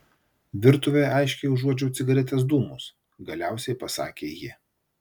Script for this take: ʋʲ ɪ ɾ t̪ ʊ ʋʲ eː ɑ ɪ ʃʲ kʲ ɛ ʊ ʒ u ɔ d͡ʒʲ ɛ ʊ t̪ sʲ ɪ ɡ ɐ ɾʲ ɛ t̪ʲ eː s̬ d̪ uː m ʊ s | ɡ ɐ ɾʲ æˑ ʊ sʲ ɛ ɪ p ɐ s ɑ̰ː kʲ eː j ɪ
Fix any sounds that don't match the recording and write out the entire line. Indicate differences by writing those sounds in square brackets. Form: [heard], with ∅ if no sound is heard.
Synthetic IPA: ʋʲ ɪ ɾ t̪ ʊ ʋʲ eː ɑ ɪ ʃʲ kʲ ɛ ʊ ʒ u ɔ d͡ʒʲ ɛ ʊ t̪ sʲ ɪ ɡ ɐ ɾʲ ɛ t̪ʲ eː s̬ d̪ uː m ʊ s | ɡ ɐ [lʲ] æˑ ʊ sʲ ɛ ɪ p ɐ s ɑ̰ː kʲ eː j ɪ